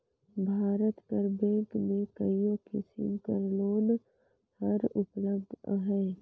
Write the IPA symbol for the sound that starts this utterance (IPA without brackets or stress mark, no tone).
bʱ